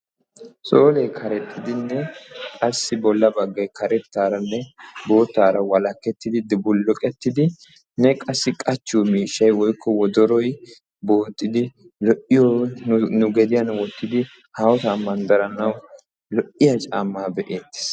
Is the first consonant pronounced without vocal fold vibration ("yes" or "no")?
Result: yes